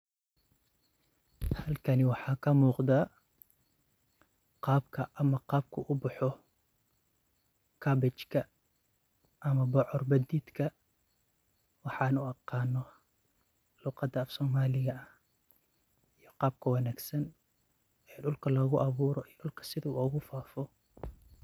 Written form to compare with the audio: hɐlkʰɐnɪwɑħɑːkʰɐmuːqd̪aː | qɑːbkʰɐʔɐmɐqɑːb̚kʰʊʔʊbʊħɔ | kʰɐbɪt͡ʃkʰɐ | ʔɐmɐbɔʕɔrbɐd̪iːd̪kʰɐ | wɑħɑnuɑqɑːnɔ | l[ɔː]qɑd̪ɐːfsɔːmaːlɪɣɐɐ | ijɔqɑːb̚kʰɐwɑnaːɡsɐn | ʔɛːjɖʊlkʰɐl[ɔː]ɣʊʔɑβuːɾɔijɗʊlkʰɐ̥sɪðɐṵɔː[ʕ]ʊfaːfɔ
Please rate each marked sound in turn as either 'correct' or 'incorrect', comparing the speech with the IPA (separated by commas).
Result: incorrect, correct, incorrect